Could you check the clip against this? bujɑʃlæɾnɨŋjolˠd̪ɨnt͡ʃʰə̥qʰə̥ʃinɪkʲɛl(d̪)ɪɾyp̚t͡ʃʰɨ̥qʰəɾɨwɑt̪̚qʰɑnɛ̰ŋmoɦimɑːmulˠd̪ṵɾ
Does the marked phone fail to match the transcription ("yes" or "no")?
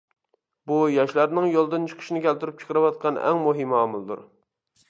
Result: yes